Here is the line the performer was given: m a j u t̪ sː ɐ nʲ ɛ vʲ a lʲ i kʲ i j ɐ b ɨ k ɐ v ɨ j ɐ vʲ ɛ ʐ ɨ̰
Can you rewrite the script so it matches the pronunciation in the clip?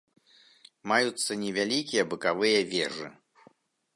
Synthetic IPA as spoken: m a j u t̪ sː ɐ nʲ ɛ vʲ a lʲ i kʲ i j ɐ b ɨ k a v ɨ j ɐ vʲ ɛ ʐ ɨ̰